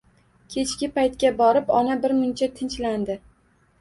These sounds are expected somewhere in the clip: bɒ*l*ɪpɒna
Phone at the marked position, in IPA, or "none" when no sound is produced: ɾ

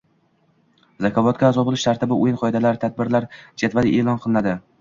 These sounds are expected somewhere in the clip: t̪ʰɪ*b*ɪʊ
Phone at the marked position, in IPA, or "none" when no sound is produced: b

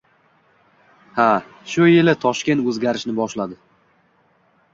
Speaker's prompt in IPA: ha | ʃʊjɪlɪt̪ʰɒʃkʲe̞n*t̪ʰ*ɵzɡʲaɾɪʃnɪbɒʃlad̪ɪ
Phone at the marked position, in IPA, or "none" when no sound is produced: t̪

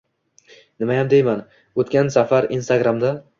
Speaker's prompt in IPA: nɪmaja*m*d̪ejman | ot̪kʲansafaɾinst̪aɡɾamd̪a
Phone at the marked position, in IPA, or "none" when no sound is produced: m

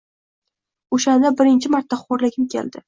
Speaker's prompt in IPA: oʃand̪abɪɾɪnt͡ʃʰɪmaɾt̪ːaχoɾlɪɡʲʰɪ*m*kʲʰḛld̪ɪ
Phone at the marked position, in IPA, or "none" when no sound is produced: m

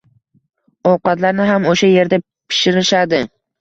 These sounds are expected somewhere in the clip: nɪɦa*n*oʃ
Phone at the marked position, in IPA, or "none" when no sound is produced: m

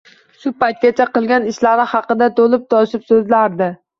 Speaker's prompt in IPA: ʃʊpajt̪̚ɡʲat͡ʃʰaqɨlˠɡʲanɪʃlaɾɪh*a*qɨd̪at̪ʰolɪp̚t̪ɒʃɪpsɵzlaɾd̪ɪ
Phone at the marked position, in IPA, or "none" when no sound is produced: ɑ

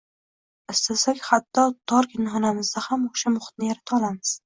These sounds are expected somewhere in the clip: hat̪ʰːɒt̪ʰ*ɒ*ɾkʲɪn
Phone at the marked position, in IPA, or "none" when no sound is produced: ɒ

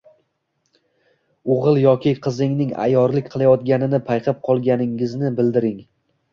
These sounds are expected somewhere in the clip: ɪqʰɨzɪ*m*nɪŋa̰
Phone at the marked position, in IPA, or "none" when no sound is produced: ŋ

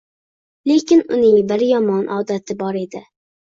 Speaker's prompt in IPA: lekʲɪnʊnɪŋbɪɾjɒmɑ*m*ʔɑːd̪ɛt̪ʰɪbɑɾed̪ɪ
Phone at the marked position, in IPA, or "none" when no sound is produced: n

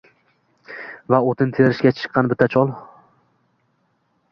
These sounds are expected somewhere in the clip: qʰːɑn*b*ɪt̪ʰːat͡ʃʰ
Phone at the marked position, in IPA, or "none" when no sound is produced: b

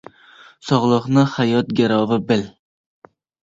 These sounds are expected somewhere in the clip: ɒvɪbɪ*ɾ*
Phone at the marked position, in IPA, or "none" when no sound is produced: l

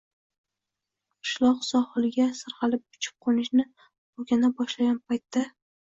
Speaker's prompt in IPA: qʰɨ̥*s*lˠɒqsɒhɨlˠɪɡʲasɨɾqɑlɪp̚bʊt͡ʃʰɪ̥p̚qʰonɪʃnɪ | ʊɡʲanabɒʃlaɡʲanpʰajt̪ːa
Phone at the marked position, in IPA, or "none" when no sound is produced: ʃ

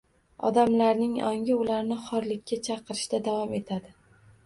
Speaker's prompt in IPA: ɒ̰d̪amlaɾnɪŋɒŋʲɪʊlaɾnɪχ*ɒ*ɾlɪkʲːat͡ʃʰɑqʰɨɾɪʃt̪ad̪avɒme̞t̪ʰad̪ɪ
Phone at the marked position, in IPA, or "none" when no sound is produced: ɒ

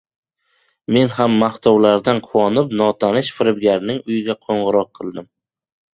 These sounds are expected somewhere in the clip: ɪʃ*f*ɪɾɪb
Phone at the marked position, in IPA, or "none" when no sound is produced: f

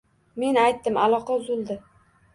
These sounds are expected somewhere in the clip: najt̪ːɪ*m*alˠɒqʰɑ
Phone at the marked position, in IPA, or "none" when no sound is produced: m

